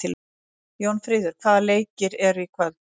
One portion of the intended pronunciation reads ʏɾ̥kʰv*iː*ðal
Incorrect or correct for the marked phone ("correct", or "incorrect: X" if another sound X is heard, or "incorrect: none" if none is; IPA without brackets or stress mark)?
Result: incorrect: aː